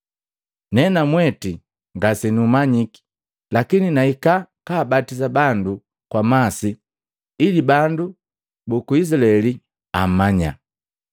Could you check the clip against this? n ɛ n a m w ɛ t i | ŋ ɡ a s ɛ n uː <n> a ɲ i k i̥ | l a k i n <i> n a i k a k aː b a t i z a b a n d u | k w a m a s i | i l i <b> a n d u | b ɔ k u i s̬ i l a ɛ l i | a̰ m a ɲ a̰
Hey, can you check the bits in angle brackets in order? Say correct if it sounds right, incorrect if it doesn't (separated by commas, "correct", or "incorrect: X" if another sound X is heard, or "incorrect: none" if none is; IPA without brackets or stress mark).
incorrect: m, correct, correct